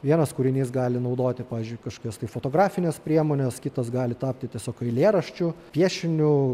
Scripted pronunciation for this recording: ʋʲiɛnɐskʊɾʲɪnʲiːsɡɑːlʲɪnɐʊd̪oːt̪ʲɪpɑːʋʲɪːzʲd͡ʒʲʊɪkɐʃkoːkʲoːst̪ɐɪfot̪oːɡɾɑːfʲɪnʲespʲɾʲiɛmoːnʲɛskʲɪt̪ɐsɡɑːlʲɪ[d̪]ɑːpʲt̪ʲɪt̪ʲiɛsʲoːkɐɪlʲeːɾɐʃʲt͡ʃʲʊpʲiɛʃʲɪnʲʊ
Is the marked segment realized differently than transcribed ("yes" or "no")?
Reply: yes